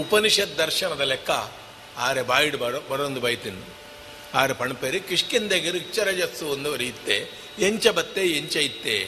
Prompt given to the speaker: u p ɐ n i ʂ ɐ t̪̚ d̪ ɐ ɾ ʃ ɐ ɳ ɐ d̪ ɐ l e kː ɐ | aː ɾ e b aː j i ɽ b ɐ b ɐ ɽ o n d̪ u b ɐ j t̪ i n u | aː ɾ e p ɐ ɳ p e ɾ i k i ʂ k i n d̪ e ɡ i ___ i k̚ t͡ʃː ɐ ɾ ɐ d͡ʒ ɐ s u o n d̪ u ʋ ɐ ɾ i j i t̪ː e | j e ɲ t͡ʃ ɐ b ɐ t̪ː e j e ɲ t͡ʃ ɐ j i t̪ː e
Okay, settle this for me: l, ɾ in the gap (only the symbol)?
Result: ɾ